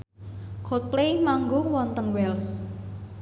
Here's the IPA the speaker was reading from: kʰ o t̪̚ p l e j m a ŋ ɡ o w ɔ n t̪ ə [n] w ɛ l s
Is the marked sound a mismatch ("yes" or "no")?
yes